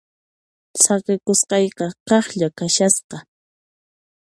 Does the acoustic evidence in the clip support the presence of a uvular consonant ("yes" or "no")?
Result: yes